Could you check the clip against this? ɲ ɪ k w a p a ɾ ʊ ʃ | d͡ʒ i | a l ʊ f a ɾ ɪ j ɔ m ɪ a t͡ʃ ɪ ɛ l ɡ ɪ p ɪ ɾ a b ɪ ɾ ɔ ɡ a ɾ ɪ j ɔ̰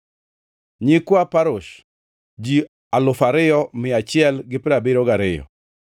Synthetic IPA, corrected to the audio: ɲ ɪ k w a p a ɾ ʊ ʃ | d͡ʒ i | a l ʊ f a ɾ ɪ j ɔ m ɪ a t͡ʃ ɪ ɛ l ɡ ɪ p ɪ ɾ a b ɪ ɾ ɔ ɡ a ɾ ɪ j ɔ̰

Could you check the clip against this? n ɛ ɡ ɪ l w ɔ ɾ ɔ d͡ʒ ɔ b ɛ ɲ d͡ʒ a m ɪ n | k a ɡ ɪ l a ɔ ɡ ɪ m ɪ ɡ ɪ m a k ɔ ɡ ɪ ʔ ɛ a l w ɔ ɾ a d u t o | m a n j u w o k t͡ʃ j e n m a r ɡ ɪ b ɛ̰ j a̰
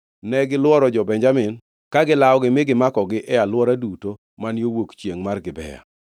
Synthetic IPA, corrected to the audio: n ɛ ɡ ɪ l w ɔ ɾ ɔ d͡ʒ ɔ b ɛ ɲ d͡ʒ a m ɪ n | k a ɡ ɪ l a ɔ ɡ ɪ m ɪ ɡ ɪ m a k ɔ ɡ ɪ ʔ ɛ a l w ɔ ɾ a d u t o | m a n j o w o k t͡ʃ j e ŋ m a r ɡ ɪ b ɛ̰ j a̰

